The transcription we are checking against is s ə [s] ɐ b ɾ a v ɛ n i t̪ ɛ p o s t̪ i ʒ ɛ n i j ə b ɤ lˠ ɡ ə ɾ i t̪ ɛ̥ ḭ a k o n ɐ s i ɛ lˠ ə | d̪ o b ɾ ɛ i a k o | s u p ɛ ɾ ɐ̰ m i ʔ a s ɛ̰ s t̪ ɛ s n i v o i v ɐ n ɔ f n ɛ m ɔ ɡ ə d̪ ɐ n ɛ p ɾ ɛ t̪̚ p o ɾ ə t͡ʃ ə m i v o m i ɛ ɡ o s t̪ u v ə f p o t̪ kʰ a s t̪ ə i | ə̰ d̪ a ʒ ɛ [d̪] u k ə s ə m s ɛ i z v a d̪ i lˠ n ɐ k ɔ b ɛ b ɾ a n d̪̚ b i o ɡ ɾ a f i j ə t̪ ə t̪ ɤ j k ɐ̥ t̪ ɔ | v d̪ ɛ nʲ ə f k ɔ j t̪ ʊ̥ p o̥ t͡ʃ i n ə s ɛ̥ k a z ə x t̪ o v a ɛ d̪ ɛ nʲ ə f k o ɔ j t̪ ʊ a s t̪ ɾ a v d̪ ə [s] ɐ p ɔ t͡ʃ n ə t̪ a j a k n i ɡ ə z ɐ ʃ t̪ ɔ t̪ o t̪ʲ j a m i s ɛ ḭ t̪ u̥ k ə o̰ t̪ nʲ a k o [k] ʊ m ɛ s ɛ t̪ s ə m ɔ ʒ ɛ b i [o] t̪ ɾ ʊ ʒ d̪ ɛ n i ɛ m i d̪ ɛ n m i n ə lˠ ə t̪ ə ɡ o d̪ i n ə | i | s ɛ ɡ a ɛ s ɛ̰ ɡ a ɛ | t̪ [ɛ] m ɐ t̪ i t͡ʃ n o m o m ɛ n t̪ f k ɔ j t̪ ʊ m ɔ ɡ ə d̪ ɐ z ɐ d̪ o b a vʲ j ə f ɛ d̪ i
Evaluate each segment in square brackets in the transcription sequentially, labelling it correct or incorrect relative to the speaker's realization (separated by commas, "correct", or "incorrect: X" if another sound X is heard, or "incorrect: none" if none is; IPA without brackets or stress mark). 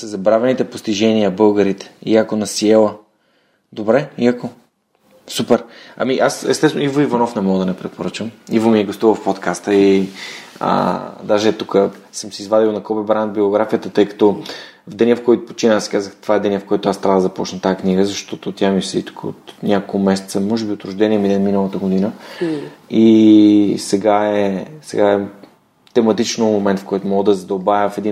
incorrect: z, incorrect: t̪, incorrect: z, correct, correct, correct